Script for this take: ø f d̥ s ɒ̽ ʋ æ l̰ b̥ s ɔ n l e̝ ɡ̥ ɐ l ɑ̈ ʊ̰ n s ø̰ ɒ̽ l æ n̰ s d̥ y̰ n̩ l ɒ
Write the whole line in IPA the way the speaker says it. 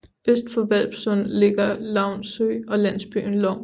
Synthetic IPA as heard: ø s d̥ f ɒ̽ ʋ æ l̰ b̥ s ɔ n l e̝ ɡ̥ ɐ l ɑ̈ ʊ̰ n s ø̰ ɒ̽ l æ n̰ s b̥ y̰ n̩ l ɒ

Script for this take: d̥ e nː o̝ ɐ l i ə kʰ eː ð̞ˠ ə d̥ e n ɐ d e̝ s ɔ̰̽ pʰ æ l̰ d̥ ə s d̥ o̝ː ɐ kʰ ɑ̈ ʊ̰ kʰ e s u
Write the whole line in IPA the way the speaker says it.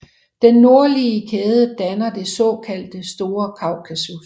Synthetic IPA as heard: d̥ e nː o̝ ɐ l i ə kʰ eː ð̞ˠ ə d̥ æ n ɐ d e̝ s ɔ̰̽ kʰ æ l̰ d̥ ə s d̥ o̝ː ɐ kʰ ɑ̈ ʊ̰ kʰ æ s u

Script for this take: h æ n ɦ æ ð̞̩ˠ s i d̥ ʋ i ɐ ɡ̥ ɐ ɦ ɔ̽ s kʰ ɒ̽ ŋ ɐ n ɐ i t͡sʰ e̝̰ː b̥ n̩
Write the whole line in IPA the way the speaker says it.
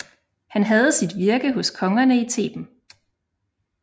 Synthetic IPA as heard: h æ n ɦ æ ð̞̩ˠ s i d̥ ʋ i ɐ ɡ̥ ə ɦ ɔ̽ s kʰ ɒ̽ ŋ ɐ n ə i t͡sʰ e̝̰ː b̥ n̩

